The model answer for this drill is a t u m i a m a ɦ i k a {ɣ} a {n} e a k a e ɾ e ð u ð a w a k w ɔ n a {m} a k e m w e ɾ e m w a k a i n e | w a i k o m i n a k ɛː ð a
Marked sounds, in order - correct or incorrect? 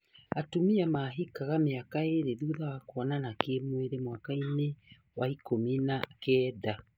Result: correct, incorrect: m, incorrect: n

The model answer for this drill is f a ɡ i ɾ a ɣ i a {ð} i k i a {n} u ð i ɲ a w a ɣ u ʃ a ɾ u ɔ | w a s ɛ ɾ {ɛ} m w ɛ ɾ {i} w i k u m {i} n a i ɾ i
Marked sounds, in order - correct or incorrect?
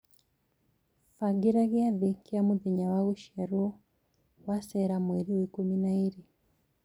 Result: correct, incorrect: m, incorrect: a, correct, correct

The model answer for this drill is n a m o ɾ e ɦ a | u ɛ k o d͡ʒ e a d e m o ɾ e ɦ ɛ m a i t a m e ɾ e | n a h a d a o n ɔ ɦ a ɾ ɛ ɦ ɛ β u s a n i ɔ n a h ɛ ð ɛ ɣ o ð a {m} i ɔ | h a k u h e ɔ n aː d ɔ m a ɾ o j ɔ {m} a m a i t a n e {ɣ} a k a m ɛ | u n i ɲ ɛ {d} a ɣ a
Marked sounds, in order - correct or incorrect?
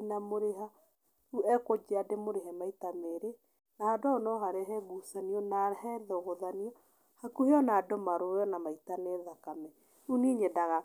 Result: incorrect: n, incorrect: n, incorrect: ð, correct

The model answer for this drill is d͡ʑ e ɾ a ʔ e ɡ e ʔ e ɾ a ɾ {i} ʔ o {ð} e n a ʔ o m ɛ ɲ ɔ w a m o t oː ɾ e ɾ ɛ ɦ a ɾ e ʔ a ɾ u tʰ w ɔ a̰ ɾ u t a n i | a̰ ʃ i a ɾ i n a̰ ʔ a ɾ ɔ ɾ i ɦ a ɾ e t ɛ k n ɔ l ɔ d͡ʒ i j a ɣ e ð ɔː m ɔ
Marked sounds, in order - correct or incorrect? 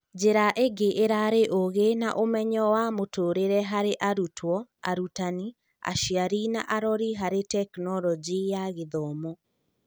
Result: incorrect: e, incorrect: ɣ

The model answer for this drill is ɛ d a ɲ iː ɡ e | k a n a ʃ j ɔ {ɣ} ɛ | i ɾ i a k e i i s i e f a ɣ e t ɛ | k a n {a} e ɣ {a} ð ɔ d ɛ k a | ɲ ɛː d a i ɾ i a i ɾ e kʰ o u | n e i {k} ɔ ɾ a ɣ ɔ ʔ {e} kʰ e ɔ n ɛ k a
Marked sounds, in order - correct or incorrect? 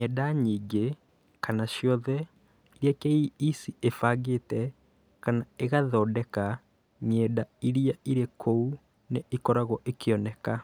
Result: incorrect: ð, correct, correct, correct, correct

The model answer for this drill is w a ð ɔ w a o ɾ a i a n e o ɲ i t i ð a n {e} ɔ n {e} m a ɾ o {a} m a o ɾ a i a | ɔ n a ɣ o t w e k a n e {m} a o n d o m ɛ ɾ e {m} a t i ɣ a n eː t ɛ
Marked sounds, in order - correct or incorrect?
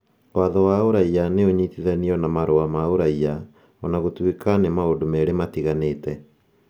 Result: incorrect: i, incorrect: a, correct, correct, correct

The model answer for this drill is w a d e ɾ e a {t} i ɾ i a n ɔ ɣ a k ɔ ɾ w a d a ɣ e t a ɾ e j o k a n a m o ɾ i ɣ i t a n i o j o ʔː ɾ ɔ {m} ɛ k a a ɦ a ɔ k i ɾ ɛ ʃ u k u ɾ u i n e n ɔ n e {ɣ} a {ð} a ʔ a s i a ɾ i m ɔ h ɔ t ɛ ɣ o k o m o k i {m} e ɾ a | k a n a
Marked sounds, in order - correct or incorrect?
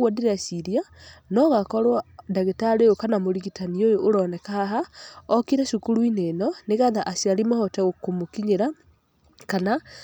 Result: incorrect: s, incorrect: n, correct, correct, incorrect: ɲ

